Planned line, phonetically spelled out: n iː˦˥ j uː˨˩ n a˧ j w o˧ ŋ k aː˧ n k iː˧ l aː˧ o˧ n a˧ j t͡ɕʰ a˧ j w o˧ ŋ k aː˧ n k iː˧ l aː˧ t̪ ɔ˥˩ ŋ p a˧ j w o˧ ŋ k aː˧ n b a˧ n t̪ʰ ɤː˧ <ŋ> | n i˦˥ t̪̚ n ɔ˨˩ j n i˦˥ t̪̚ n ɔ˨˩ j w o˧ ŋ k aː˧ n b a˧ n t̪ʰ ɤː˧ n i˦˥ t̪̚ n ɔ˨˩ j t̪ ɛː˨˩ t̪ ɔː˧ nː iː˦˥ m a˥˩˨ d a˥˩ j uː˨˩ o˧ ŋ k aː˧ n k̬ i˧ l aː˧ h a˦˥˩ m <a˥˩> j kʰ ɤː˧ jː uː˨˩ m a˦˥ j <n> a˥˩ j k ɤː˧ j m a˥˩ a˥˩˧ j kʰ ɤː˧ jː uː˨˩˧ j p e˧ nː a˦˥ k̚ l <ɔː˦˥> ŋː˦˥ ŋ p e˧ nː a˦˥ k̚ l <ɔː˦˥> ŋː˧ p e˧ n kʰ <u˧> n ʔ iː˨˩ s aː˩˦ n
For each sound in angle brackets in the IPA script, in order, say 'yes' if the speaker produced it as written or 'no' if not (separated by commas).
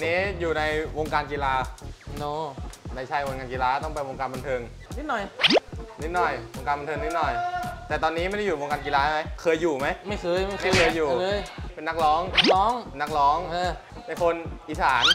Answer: yes, no, no, yes, yes, no